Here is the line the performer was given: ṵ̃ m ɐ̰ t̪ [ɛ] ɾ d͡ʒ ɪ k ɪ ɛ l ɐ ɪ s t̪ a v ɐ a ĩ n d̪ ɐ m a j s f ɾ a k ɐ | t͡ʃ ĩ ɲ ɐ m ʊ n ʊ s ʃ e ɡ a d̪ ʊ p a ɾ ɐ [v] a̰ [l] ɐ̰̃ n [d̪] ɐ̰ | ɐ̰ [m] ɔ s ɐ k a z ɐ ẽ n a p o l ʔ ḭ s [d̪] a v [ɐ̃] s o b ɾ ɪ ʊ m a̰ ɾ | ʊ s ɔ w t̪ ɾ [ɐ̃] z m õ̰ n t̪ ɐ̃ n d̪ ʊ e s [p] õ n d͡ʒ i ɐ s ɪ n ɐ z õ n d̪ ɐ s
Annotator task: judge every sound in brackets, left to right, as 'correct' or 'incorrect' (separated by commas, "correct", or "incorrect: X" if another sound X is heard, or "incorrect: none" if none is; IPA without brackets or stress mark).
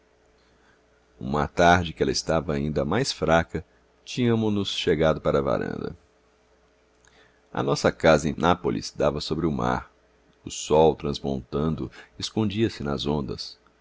incorrect: a, correct, incorrect: ɾ, correct, incorrect: n, correct, incorrect: ɐ, correct, incorrect: k